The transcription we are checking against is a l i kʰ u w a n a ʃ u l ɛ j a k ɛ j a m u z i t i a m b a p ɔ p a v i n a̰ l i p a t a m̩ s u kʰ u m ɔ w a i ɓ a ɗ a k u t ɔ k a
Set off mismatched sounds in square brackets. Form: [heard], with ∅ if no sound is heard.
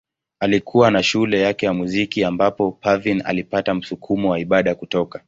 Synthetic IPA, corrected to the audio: a l i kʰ u w a n a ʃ u l ɛ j a k ɛ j a m u z i [k] i a m b a p ɔ p a v i n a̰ l i p a t a m̩ s u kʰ u m ɔ w a i ɓ a ɗ a k u t ɔ k a